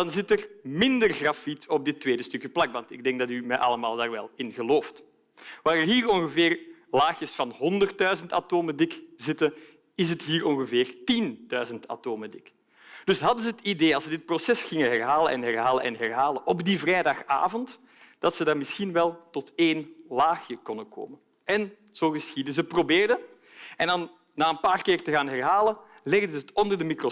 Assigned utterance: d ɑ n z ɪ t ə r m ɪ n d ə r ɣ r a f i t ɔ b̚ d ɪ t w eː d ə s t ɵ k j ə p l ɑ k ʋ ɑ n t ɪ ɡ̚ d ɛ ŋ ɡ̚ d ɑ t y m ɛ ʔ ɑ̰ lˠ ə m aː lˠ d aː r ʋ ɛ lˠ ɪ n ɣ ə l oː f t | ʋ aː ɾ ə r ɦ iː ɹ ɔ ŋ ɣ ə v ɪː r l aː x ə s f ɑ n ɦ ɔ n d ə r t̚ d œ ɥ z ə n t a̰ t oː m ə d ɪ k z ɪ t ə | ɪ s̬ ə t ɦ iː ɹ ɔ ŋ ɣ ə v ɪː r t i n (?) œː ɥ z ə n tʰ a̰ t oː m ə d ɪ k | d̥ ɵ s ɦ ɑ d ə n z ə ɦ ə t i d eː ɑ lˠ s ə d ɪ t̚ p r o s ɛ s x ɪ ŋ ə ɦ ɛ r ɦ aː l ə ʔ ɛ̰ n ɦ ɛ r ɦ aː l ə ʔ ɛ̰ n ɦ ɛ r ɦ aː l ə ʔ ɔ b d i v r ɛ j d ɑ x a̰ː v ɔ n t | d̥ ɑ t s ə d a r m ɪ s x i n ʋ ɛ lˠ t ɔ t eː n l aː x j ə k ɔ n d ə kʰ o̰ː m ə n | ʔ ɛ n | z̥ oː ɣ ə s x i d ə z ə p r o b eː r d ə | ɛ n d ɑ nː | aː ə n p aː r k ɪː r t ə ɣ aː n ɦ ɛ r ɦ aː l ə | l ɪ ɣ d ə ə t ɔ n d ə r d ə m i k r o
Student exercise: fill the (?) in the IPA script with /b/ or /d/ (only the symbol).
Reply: d